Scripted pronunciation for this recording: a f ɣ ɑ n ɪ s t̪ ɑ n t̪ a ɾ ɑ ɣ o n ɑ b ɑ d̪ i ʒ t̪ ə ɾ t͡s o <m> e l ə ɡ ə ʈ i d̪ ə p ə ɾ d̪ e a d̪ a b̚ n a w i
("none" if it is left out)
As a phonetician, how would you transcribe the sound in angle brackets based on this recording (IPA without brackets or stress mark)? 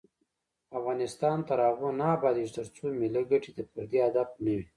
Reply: m